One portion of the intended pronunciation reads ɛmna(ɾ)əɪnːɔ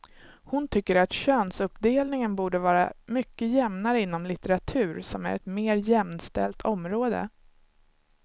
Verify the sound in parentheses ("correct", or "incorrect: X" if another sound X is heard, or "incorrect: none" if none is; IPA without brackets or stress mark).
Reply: correct